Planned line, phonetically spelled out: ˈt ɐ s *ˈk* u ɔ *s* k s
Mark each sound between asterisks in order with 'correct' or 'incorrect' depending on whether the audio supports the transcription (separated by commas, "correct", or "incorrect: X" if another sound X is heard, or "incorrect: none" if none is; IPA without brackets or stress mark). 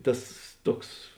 incorrect: t, incorrect: none